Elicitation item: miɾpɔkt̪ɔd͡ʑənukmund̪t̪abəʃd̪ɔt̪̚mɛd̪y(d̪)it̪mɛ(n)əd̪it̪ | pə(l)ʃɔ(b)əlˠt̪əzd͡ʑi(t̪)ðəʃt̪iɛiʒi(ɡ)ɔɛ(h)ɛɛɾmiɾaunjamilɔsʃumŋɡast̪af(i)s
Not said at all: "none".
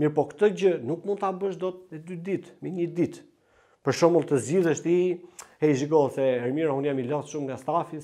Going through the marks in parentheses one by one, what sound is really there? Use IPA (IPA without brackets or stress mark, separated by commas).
d̪, ɲ, ɾ, m, none, ɡ, s, i